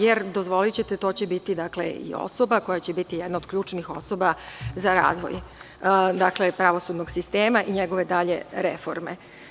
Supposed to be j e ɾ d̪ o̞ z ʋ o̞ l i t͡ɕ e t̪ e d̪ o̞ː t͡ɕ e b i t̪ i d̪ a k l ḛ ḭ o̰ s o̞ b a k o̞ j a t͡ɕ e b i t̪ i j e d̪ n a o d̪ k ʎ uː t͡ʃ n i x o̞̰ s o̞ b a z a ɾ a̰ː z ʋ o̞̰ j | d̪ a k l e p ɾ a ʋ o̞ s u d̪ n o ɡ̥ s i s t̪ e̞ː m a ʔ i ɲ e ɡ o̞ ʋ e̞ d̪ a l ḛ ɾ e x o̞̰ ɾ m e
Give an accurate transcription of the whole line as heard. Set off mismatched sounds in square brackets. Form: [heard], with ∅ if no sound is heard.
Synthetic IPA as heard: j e ɾ d̪ o̞ z ʋ o̞ l i t͡ɕ e t̪ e [t̪] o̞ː t͡ɕ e b i t̪ i d̪ a k l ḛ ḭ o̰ s o̞ b a k o̞ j a t͡ɕ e b i t̪ i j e d̪ n a o d̪ k ʎ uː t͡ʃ n i x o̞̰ s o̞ b a z a ɾ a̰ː z ʋ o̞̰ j | d̪ a k l e p ɾ a ʋ o̞ s u d̪ n o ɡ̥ s i s t̪ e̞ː m a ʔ i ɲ e ɡ o̞ ʋ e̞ d̪ a [ʎ] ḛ ɾ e [f] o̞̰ ɾ m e